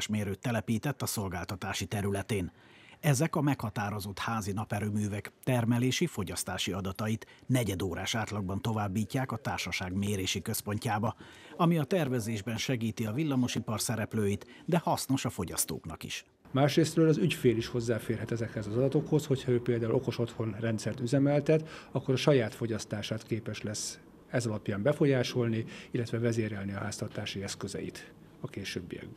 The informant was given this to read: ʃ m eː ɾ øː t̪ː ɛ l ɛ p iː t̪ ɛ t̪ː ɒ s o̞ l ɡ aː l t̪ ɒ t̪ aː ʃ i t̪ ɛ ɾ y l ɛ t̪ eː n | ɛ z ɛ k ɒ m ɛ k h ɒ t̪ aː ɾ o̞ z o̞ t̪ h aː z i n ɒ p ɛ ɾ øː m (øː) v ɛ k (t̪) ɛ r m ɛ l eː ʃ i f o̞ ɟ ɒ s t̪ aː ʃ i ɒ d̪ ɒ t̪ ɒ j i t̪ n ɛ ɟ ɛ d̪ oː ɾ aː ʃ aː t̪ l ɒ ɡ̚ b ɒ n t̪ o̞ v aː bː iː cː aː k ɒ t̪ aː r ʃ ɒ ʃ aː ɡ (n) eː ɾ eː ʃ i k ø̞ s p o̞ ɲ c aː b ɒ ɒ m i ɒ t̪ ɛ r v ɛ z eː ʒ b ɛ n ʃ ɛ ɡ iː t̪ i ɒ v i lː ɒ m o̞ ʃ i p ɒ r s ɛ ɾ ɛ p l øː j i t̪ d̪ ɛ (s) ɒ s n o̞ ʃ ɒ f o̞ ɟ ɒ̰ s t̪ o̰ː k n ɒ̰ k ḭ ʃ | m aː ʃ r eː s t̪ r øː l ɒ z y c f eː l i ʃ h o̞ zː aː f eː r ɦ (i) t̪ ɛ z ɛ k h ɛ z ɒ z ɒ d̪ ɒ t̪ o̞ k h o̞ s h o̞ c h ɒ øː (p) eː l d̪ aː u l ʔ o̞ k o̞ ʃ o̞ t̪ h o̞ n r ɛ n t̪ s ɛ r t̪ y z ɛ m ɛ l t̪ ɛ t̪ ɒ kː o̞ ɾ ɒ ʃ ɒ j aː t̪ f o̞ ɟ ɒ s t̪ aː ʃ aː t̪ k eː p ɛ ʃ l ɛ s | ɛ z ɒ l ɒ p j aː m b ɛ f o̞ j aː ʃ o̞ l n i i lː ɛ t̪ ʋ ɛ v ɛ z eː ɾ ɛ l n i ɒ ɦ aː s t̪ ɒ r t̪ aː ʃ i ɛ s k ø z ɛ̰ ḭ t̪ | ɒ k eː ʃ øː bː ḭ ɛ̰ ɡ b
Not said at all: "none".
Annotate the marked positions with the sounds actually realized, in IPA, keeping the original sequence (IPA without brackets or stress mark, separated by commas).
yː, t̪, m, h, ɛ, p